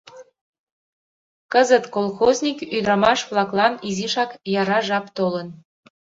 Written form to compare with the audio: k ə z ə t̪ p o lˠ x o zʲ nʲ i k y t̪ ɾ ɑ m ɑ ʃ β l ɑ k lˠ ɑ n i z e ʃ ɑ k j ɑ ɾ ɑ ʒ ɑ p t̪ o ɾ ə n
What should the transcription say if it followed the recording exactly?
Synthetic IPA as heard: k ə z ə t̪ k o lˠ x o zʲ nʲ i k y d̪ ɾ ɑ m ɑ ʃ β l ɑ k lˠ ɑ n i z i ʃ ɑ k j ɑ ɾ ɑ ʒ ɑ p t̪ o l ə n

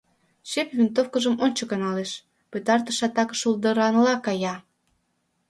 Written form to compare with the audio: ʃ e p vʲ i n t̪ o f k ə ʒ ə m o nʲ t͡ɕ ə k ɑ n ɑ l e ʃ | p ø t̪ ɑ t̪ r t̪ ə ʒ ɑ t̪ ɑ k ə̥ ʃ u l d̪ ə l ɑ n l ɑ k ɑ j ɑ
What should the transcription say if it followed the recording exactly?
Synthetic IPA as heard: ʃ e p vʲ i n t̪ o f k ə ʒ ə m o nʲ t͡ɕ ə k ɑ n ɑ l e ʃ | p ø t̪ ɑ r t̪ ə ʃ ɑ t̪ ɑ k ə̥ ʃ u l d̪ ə ɾ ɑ n l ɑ k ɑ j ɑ

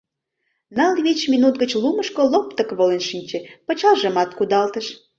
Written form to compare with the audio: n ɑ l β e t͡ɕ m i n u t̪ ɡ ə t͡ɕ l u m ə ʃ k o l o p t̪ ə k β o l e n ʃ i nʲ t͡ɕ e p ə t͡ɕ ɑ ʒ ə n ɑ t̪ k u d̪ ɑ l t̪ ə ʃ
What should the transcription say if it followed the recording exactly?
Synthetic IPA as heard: n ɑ l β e t͡ɕ m i n u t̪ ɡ ə t͡ɕ l u m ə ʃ k o l o p t̪ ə k β o l e n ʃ i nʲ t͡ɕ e p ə t͡ɕ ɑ ʒ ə m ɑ t̪ k u d̪ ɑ l t̪ ə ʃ

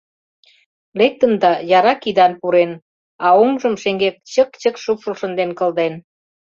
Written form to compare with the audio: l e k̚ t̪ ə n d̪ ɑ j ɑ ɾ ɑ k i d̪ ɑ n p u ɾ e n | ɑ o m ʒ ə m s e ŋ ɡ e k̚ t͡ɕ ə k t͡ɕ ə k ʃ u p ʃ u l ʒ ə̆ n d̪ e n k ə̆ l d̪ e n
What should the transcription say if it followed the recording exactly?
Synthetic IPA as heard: l e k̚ t̪ ə n d̪ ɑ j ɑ ɾ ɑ k i d̪ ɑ n p u ɾ e n | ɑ o m ʒ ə m ʃ e ŋ ɡ e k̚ t͡ɕ ə k t͡ɕ ə k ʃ u p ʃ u l ʃ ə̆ n d̪ e n k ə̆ l d̪ e n

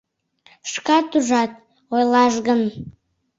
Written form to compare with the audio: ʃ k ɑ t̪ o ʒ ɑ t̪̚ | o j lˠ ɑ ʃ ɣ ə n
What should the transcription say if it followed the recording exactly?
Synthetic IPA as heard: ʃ k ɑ t̪ u ʒ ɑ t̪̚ | o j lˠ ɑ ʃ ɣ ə n

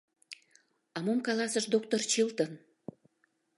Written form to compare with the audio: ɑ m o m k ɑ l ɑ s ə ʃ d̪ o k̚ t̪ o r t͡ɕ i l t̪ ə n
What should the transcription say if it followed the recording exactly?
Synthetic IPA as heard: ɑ m o m k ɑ l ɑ s ə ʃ d̪ o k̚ t̪ o r t͡ɕ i l t̪ ə n

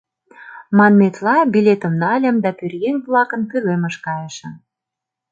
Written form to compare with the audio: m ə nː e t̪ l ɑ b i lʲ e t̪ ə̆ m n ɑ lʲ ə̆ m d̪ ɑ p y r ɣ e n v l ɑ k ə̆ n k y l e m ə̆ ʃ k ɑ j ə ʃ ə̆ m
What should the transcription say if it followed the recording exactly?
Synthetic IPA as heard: m ɑ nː e t̪ l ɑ b i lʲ e t̪ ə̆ m n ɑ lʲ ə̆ m d̪ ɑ p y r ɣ e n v l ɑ k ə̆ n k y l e m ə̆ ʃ k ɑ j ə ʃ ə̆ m

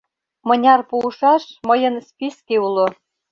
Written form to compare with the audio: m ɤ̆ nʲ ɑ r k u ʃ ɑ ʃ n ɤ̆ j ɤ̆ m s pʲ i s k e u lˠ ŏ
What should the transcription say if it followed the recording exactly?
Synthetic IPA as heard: m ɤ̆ nʲ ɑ r p u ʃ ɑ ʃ m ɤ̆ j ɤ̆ n s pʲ i s k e u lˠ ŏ

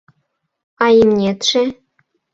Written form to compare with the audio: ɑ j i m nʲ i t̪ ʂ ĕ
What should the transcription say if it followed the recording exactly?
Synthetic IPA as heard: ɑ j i m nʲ e t̪ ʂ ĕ

